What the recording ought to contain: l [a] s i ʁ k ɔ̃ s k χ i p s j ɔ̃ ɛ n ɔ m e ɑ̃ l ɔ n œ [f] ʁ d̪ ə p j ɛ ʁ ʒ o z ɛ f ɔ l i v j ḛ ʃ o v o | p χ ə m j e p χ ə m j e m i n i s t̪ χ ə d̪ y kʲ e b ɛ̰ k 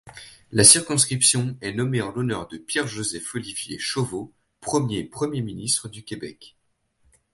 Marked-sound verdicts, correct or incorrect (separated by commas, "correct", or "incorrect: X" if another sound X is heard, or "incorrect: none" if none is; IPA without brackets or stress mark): correct, incorrect: none